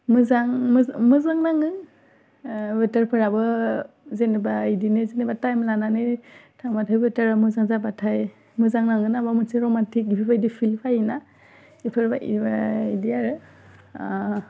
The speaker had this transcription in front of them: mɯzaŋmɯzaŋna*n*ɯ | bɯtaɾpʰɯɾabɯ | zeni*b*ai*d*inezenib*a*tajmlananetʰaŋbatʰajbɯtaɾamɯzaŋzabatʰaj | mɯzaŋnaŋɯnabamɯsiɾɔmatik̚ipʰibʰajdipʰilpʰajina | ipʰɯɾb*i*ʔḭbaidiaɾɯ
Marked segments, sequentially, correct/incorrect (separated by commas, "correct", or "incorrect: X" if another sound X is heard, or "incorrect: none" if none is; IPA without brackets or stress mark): incorrect: ŋ, correct, correct, correct, incorrect: a